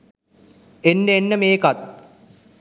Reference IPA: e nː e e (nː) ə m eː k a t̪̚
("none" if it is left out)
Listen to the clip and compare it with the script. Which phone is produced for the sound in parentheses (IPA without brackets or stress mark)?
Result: nː